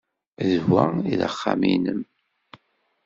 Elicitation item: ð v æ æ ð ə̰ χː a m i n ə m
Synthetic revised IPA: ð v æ i ð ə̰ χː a m i n ə m